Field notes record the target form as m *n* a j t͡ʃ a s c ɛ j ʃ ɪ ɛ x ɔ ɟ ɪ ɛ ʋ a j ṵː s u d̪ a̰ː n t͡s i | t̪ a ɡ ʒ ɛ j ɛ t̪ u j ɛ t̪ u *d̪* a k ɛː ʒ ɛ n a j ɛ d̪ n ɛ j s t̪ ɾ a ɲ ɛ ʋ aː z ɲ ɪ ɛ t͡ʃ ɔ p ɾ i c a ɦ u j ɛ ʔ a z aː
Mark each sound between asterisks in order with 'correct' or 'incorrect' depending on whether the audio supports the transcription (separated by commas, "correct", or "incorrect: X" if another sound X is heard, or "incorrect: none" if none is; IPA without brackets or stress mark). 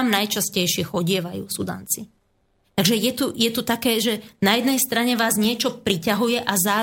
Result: correct, incorrect: t̪